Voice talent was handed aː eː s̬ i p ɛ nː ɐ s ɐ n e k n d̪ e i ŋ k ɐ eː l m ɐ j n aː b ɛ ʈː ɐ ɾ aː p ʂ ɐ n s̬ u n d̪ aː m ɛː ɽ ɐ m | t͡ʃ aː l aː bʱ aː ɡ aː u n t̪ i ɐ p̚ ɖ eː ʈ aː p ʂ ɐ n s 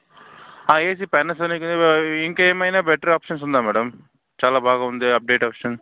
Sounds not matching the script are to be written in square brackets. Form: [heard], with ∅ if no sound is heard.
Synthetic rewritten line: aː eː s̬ i p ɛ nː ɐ s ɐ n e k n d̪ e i ŋ k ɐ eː [∅] m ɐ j n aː b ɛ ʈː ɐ ɾ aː p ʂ ɐ n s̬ u n d̪ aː m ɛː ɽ ɐ m | t͡ʃ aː l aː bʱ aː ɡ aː u n [d̪] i ɐ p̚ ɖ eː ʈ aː p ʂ ɐ n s